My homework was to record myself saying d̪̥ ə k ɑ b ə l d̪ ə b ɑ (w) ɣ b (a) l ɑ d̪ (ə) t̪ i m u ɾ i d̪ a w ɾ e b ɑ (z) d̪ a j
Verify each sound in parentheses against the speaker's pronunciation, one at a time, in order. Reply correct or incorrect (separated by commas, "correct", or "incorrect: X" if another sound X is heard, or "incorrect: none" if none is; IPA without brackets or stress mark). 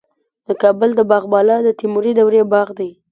incorrect: none, incorrect: ɑ, correct, incorrect: ɣ